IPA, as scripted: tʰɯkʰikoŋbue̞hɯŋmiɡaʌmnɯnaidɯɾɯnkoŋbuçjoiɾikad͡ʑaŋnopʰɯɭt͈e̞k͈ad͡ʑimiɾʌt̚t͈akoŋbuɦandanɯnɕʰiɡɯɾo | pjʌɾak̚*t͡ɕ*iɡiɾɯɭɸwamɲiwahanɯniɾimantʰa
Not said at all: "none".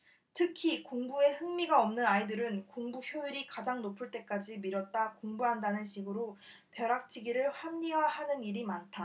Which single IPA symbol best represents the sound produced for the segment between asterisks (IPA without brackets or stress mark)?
t͡ɕʰ